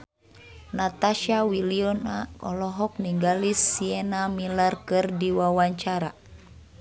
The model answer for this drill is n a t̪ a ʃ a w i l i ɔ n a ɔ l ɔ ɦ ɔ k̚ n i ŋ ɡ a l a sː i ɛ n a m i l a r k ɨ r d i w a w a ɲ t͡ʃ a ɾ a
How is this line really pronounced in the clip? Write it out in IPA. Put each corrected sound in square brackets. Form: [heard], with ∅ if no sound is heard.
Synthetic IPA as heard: n a t̪ a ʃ a w i l i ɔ n a ɔ l ɔ ɦ ɔ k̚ n i ŋ ɡ a l [i] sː i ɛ n a m i l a r k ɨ r d i w a w a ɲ t͡ʃ a ɾ a